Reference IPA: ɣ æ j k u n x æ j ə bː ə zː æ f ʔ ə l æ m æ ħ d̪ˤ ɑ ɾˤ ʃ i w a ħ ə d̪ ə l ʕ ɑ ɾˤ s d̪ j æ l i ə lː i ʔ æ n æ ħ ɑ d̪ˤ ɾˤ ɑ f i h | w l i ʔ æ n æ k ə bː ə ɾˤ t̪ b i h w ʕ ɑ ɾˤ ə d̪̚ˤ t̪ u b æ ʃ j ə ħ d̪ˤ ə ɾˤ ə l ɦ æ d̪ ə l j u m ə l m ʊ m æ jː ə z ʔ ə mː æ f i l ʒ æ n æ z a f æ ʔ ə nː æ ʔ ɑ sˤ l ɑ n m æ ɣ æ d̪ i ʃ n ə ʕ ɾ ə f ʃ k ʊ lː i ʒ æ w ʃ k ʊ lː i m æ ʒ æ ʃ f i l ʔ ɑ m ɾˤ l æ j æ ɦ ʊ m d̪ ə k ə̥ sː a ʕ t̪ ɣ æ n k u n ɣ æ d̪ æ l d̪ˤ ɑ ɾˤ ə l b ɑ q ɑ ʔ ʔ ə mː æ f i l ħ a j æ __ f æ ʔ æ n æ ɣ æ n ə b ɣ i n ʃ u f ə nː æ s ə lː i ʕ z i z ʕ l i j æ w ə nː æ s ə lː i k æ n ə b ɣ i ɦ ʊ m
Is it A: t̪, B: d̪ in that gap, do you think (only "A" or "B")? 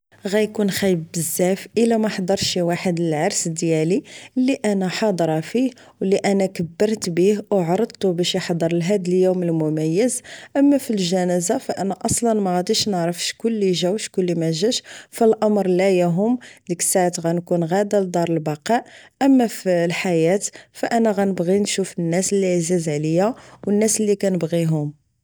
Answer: A